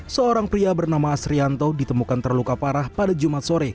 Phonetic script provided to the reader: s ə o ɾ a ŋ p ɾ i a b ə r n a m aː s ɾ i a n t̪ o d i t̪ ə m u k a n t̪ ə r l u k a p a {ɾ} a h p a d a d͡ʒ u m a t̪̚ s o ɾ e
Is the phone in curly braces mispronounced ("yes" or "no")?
no